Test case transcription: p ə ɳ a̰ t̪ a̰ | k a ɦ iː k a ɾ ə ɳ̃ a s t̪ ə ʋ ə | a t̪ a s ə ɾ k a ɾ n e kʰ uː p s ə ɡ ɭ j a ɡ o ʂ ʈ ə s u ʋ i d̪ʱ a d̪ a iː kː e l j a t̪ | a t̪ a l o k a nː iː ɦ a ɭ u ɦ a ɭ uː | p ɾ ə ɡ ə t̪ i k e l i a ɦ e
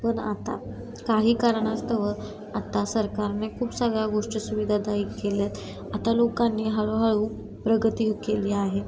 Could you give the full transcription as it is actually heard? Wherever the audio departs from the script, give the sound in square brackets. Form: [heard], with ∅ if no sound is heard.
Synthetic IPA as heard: p ə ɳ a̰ t̪ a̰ | k a ɦ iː k a ɾ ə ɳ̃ a s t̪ ə ʋ ə | a t̪ a s ə ɾ k a ɾ n e kʰ uː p s ə ɡ ɭ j a ɡ o ʂ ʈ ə s u ʋ i d̪ʱ a d̪ a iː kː e l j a t̪ | a t̪ a l o k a nː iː ɦ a ɭ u ɦ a ɭ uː | p ɾ ə ɡ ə t̪ i k e l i a ɦ e